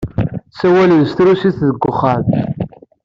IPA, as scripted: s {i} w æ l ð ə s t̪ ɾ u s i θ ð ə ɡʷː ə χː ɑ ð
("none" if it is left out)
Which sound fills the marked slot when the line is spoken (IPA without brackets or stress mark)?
æ